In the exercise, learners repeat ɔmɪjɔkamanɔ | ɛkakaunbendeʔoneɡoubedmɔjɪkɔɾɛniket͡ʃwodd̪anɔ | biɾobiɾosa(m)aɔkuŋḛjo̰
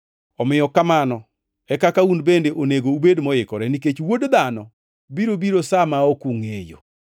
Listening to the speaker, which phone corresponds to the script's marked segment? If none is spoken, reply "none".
m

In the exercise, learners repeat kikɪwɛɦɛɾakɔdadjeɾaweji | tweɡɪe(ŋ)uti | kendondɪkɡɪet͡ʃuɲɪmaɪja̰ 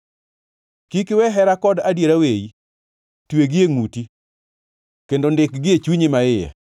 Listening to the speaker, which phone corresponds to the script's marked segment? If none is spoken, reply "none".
ŋ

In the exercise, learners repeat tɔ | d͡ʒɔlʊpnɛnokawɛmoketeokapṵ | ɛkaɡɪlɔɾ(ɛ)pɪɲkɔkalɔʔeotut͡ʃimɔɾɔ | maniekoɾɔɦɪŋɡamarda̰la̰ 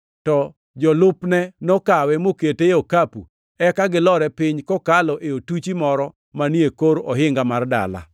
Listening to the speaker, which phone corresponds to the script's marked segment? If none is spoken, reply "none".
ɛ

